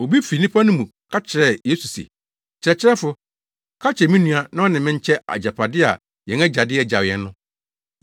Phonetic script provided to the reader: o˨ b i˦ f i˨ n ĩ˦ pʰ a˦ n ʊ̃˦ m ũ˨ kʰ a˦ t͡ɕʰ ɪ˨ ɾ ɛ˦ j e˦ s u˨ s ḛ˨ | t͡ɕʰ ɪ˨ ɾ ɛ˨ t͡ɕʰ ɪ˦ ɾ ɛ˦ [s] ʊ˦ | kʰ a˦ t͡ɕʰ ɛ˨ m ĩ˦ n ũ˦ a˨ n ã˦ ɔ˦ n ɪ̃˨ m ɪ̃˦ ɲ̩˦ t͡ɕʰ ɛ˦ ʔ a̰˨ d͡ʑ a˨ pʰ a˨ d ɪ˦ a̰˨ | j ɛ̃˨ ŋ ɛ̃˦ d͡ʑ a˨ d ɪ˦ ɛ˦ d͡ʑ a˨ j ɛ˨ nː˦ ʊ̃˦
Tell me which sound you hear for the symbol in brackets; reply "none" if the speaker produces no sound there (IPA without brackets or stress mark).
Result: f